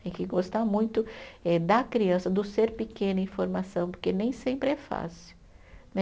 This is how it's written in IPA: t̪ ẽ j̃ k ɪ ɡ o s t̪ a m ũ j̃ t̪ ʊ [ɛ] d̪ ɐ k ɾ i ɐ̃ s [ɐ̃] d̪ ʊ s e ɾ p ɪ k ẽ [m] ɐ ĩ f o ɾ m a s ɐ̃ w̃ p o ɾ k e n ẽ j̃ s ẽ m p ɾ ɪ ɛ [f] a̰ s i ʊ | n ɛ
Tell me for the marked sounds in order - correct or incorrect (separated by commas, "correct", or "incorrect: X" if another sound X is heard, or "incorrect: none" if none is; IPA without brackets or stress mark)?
correct, incorrect: ɐ, incorrect: n, correct